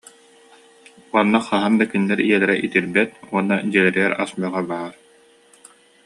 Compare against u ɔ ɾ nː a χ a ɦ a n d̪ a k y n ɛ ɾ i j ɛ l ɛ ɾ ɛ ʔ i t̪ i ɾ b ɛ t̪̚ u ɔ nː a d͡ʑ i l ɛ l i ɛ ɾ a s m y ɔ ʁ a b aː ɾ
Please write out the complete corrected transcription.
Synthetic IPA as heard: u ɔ nː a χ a ɦ a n d̪ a k y nː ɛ ɾ i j ɛ l ɛ ɾ ɛ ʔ i t̪ i ɾ b ɛ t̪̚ u ɔ nː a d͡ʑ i l ɛ ɾ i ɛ ɾ a s m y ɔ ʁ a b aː ɾ